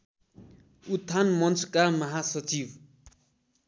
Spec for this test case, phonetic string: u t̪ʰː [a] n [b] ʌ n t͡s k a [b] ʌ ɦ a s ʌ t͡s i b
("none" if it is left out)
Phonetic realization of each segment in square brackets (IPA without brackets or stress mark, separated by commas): a, m, m